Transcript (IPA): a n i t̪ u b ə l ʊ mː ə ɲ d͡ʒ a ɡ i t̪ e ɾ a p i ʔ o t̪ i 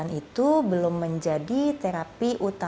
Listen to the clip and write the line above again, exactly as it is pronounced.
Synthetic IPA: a n i t̪ u b ə l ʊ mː ə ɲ d͡ʒ a d i t̪ e ɾ a p i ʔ u t̪ a